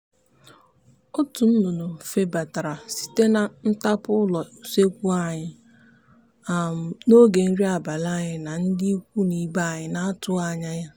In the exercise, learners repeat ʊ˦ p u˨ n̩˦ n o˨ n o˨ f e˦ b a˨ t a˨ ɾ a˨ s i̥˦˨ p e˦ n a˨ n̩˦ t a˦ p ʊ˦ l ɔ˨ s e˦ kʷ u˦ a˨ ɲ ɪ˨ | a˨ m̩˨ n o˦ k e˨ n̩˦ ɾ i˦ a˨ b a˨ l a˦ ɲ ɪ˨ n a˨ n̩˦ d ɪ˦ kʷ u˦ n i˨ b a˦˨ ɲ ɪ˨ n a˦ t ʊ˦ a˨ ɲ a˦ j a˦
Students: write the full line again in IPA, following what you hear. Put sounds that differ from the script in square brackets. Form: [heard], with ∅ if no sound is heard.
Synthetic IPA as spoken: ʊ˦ [t] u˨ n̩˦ n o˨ n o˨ f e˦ b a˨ t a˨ ɾ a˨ s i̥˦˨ [t] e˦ n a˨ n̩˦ t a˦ p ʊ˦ l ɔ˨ s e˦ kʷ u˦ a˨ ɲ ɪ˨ | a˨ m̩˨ n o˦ [ɡ] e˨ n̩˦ ɾ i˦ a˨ b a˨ l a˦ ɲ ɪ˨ n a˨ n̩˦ d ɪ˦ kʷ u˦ n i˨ b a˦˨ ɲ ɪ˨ n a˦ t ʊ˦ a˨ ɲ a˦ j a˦